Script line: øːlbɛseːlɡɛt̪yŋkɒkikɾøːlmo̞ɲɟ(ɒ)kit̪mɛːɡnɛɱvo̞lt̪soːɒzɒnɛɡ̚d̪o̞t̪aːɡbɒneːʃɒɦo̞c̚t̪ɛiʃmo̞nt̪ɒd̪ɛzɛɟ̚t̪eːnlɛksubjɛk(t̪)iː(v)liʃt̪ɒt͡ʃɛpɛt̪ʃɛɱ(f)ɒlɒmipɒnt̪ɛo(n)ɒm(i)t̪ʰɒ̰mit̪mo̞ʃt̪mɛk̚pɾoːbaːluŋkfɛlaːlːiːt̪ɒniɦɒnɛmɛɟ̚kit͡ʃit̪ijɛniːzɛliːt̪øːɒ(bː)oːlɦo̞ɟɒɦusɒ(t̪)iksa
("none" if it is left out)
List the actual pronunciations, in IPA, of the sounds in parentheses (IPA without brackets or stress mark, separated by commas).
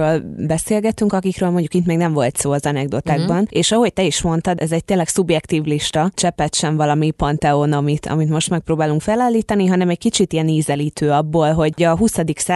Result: u, t̪, v, v, n, i, bː, d̪